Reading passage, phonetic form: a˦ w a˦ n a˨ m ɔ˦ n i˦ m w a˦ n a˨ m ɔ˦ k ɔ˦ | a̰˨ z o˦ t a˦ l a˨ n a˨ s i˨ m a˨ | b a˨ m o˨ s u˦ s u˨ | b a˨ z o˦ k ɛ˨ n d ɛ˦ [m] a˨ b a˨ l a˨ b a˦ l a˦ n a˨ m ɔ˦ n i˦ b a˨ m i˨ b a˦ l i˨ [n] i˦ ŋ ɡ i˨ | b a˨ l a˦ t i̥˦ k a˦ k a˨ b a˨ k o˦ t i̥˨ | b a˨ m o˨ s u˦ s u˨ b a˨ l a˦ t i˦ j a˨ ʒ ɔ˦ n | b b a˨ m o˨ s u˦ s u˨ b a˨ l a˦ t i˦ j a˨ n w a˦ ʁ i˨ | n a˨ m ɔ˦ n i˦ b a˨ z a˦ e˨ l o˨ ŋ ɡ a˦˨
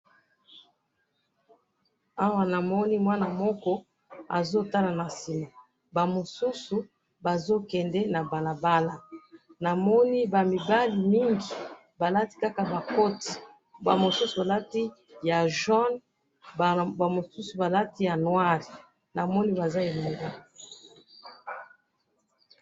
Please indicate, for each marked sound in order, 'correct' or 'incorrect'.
incorrect: n, incorrect: m

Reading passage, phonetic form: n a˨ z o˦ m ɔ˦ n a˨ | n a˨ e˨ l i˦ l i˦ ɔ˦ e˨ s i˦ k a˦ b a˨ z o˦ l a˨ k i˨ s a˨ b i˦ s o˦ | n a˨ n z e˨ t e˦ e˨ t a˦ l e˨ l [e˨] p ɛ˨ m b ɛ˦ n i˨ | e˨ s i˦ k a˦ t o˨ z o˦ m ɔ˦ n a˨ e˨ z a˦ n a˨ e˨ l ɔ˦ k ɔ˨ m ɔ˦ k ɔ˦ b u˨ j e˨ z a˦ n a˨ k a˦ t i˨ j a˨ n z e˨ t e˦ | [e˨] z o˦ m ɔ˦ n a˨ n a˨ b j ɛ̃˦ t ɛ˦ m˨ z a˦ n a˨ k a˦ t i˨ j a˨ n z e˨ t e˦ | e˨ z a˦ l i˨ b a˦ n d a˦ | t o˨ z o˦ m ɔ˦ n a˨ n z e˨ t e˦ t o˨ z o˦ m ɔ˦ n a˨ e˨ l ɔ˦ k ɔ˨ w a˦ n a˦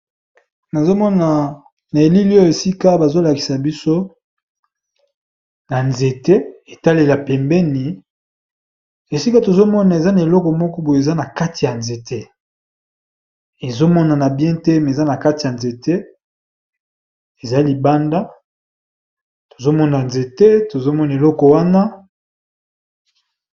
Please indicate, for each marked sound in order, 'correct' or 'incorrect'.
incorrect: a˨, correct

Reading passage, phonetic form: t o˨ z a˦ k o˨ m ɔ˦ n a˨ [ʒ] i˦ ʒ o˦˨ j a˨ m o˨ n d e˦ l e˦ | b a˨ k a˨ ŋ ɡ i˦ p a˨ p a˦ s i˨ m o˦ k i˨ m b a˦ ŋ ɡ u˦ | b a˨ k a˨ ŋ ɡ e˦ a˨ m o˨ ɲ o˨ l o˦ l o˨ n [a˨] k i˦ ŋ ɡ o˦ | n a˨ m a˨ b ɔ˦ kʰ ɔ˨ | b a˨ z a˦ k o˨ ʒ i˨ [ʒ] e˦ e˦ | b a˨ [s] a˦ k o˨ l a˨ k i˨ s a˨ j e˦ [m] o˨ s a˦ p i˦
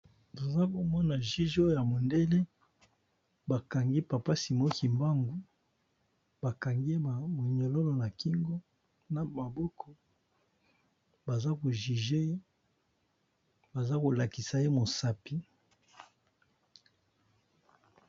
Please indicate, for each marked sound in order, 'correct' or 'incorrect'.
correct, correct, correct, incorrect: z, correct

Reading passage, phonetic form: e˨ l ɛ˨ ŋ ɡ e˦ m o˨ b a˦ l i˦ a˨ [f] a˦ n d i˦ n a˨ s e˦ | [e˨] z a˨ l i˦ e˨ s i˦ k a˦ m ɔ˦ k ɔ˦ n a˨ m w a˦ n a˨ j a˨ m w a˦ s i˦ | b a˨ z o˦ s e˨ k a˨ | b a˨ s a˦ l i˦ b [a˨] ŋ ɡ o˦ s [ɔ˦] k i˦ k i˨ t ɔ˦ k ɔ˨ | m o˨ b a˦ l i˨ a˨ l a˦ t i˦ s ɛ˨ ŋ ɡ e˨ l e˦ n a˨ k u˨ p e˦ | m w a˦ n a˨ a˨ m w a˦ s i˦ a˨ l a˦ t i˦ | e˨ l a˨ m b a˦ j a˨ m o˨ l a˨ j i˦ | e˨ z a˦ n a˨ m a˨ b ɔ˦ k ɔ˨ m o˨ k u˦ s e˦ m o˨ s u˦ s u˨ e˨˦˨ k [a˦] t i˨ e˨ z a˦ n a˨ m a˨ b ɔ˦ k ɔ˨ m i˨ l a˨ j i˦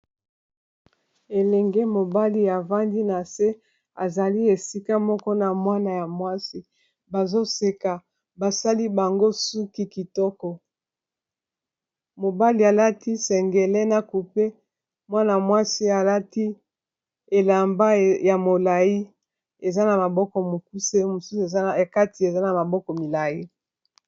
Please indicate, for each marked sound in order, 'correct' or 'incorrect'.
incorrect: v, incorrect: a˨, correct, incorrect: u˦, correct

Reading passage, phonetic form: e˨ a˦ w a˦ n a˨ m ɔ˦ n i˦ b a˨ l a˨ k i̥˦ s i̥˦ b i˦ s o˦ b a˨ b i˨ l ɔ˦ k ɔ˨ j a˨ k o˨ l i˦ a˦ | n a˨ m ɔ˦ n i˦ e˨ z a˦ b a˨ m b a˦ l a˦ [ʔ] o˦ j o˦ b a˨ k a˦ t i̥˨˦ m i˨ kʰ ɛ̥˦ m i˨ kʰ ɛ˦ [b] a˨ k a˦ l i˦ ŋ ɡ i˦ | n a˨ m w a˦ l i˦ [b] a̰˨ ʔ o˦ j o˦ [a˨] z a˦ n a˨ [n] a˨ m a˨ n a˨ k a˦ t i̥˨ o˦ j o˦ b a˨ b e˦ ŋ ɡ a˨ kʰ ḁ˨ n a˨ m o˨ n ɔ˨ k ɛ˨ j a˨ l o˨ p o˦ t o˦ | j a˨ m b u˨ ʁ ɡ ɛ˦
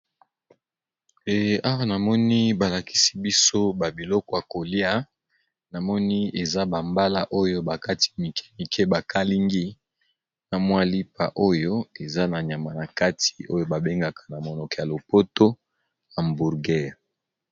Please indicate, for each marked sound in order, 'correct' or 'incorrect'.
correct, correct, incorrect: p, incorrect: e˨, incorrect: ɲ

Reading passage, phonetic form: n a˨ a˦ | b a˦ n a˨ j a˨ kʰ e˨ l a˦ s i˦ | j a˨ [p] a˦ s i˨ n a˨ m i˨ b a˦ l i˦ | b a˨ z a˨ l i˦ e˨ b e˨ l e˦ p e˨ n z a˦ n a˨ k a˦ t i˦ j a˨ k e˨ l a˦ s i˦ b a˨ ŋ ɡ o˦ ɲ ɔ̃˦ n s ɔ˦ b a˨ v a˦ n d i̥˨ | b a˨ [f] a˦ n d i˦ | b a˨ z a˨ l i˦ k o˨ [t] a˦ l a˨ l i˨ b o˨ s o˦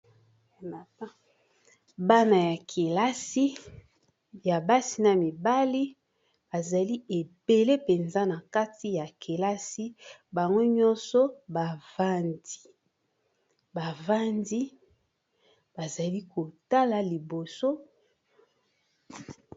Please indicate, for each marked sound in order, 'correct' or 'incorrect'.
incorrect: b, incorrect: v, correct

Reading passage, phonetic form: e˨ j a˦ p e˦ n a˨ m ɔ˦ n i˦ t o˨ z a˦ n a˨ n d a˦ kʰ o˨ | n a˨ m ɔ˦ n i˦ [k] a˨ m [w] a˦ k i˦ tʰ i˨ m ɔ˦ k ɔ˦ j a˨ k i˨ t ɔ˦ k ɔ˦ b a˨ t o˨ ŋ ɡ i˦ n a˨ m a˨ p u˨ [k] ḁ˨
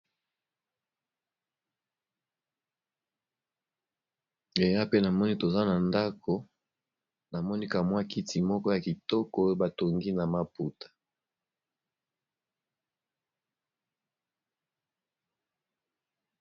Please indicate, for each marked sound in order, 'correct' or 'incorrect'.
correct, correct, incorrect: t

